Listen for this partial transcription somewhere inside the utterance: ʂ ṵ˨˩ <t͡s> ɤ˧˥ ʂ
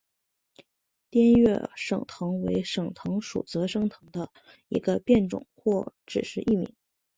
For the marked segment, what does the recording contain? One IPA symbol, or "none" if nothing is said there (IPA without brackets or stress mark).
t͡s